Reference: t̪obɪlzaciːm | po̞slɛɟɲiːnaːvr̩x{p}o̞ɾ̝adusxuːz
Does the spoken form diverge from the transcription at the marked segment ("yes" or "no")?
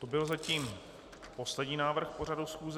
no